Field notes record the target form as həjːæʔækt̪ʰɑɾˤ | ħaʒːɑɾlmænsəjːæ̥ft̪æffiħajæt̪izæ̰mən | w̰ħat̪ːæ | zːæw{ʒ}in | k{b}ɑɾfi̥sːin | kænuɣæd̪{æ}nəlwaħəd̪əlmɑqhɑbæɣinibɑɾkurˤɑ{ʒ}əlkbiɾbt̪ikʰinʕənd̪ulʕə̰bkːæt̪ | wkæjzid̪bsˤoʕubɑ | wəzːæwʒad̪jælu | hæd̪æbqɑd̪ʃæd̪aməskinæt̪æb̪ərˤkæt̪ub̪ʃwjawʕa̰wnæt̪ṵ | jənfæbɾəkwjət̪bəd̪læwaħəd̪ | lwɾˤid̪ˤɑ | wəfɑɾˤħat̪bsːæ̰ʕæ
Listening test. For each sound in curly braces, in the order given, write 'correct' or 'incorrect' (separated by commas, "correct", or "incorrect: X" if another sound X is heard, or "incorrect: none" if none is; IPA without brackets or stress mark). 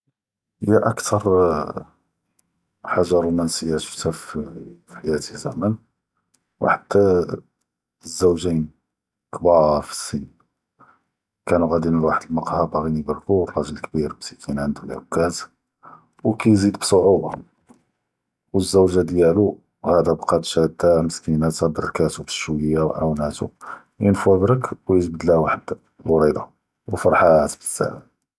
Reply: correct, correct, incorrect: i, correct